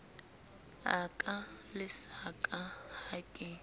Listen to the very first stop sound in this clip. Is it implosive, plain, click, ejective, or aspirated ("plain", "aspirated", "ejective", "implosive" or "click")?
ejective